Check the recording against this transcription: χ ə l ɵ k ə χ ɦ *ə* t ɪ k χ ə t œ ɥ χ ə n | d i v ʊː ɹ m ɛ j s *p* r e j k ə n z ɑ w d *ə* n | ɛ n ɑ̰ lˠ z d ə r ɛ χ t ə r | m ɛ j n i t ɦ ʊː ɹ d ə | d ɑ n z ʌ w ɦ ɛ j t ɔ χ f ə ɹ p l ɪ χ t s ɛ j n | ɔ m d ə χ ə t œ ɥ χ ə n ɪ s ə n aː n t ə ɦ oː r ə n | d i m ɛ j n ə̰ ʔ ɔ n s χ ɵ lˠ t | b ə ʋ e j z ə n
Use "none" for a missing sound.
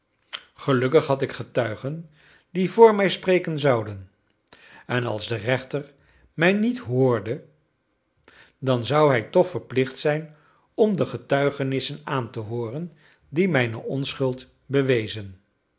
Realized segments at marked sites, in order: ɑ, p, ə

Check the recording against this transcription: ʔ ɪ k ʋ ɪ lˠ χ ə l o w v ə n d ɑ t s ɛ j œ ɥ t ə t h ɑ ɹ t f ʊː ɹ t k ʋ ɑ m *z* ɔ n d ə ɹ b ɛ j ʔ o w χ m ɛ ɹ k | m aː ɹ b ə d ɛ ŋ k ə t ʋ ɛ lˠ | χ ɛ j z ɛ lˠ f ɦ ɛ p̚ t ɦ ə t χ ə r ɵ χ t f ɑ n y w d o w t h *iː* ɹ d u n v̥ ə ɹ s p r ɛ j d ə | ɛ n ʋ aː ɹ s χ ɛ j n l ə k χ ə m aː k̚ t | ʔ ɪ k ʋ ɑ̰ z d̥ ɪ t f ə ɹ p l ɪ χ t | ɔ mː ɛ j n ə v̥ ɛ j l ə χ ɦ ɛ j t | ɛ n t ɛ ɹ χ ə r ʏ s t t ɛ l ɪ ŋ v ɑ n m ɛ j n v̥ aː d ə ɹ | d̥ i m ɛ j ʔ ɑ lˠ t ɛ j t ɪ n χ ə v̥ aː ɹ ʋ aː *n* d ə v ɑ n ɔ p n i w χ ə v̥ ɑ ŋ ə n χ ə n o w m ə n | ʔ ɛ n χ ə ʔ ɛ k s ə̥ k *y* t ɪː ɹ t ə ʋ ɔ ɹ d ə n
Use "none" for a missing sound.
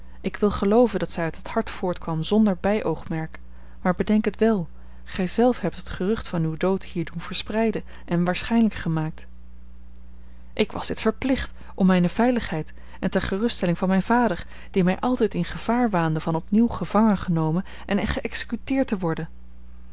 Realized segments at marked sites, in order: z, iː, n, y

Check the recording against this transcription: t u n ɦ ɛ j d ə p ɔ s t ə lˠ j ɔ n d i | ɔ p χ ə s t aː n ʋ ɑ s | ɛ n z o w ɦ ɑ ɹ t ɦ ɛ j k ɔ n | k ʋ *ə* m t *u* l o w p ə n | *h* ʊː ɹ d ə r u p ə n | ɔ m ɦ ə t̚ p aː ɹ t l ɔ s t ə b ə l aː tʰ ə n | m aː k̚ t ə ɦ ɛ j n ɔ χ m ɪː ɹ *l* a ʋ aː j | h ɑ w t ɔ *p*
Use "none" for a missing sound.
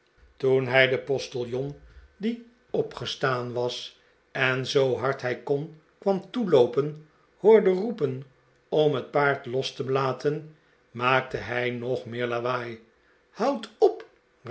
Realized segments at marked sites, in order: ɑ, u, h, l, p

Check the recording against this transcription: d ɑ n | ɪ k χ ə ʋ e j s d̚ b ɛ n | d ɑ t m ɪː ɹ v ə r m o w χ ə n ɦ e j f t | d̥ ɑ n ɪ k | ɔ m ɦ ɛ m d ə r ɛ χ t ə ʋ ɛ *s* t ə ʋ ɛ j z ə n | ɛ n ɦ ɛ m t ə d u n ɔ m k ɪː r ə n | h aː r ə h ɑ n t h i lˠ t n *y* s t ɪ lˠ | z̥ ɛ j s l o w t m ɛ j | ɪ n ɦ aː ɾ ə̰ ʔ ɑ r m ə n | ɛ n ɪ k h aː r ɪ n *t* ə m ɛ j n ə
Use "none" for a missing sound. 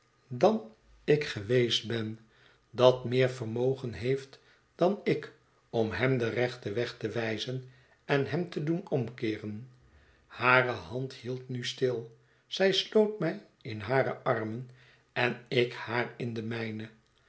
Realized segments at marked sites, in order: χ, y, d

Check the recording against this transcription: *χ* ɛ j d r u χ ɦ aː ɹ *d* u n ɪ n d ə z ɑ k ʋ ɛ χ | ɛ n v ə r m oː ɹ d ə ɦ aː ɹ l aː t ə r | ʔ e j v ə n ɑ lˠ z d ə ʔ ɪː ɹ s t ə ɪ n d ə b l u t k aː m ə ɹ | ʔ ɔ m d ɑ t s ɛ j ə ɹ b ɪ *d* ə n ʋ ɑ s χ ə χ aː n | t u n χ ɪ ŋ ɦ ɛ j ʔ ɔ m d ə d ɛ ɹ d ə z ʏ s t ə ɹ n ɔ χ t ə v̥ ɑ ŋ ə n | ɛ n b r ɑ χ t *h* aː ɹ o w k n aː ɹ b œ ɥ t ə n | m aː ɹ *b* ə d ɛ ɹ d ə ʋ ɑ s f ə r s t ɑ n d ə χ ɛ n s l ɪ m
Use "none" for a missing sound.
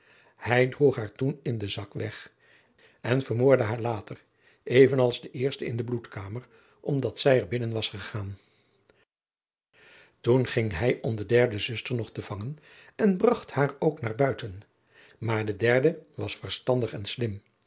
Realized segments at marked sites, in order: h, t, n, h, d

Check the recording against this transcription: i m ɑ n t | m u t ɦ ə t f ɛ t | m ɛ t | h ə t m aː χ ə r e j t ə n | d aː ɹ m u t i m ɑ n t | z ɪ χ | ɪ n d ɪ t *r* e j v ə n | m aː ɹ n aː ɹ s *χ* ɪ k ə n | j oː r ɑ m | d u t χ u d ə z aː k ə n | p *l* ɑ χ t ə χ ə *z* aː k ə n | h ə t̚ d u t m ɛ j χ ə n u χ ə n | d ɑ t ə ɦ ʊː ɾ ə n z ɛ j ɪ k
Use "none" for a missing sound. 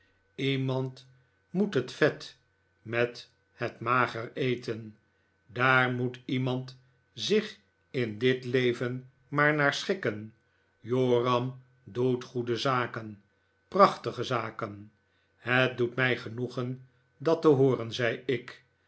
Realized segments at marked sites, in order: l, χ, r, z

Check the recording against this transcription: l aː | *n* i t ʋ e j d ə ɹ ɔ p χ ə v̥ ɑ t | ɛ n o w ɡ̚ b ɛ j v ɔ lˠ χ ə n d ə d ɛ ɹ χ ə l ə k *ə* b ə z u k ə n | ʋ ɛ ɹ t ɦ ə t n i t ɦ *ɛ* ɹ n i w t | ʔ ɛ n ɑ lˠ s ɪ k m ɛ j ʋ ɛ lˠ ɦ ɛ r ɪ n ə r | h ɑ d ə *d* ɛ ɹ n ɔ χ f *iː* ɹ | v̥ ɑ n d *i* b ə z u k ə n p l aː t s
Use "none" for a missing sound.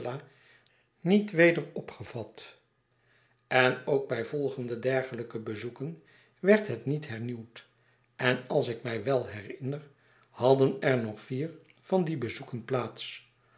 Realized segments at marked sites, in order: n, ə, ɛ, n, iː, i

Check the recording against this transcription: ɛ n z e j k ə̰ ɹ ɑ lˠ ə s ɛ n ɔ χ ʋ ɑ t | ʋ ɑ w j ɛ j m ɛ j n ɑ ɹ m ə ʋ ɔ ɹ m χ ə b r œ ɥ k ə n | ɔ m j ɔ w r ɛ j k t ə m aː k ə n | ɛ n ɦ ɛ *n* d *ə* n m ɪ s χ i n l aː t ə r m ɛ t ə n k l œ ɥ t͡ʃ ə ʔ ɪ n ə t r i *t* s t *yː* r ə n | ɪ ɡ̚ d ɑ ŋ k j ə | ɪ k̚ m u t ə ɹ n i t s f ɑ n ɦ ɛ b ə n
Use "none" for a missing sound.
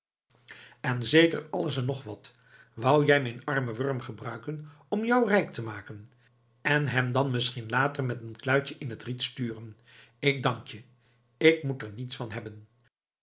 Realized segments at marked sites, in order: m, ɑ, t, yː

